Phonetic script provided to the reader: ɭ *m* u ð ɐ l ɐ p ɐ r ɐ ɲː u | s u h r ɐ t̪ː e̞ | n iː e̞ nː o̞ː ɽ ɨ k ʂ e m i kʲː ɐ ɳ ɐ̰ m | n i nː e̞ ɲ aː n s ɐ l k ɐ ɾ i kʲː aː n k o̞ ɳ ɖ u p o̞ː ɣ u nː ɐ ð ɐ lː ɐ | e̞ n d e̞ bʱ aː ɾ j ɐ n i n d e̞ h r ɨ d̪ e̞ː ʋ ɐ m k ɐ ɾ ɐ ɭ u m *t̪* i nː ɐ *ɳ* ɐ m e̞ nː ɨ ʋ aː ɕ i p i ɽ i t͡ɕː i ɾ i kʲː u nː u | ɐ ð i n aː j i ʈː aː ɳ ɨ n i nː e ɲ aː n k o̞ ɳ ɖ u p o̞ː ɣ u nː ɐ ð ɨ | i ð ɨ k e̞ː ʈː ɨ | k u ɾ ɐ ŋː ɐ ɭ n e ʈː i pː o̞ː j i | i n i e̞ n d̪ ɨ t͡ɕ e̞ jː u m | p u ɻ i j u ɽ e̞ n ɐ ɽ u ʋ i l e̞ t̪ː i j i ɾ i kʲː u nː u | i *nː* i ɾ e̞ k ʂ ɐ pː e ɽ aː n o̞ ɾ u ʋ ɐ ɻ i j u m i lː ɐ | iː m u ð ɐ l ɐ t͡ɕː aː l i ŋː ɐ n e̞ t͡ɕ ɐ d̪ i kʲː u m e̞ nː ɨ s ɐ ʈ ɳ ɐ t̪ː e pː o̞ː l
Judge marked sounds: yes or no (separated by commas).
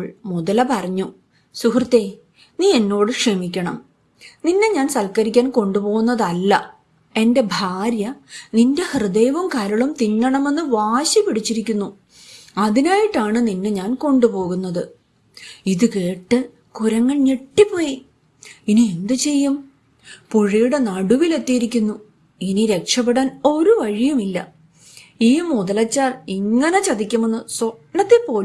yes, yes, yes, no